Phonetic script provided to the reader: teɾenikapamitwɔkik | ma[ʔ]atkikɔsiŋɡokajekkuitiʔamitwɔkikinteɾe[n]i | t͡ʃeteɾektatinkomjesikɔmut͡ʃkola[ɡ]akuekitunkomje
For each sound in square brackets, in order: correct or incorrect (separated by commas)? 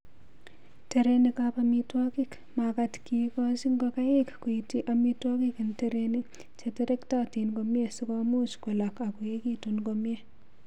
incorrect, correct, incorrect